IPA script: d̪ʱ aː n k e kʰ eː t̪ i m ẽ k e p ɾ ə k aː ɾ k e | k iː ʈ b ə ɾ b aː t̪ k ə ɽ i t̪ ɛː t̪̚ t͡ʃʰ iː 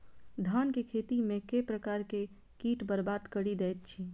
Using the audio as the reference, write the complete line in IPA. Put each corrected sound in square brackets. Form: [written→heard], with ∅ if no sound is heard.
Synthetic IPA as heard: d̪ʱ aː n k e kʰ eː t̪ i m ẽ k e p ɾ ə k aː ɾ k e | k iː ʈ b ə ɾ b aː [t̪→d̪] k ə ɽ i [t̪→d̪] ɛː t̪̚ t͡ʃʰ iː